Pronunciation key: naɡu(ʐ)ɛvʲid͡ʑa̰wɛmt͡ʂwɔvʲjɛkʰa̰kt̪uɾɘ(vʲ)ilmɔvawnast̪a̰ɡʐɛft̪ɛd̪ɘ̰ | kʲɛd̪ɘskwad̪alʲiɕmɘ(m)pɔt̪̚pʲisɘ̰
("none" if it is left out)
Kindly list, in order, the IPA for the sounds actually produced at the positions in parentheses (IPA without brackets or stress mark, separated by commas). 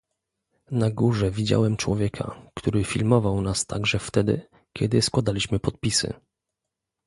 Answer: ʐ, fʲ, none